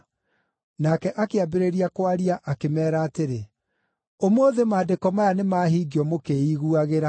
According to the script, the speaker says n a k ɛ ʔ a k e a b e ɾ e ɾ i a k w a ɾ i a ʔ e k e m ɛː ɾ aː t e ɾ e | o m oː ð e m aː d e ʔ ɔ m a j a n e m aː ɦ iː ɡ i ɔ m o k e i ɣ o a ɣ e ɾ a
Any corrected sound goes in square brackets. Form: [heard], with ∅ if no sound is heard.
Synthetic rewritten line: n a k ɛ ʔ a k e a b e ɾ e ɾ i a k w a ɾ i a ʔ [a] k e m ɛː ɾ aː t e ɾ e | o m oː ð e m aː d e [k] ɔ m a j a n e m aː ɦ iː ɡ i ɔ m o k e i ɣ [u] a ɣ e ɾ a